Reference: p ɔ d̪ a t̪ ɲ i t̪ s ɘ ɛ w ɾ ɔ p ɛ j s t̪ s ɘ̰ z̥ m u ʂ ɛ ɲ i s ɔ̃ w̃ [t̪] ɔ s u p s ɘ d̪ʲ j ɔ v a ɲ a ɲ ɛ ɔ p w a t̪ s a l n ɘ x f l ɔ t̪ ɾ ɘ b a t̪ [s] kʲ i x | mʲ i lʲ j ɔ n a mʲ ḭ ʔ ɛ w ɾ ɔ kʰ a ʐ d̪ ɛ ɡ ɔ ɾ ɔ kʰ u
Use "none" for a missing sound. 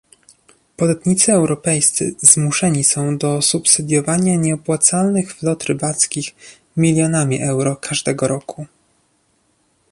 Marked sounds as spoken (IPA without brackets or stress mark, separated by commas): d̪, s